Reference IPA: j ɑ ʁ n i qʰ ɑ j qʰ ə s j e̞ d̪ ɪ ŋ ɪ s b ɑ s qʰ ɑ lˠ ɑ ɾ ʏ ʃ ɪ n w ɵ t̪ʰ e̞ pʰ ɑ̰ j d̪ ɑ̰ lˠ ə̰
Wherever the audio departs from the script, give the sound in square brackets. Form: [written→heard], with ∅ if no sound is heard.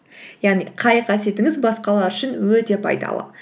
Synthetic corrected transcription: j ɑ ʁ n i qʰ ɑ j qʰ [ə→ɑ] s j e̞ [d̪→t̪] ɪ ŋ ɪ [s→z] b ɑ s [qʰ→q] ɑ lˠ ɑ ɾ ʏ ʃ ɪ n w ɵ [t̪ʰ→t̪] e̞ pʰ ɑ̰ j d̪ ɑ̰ lˠ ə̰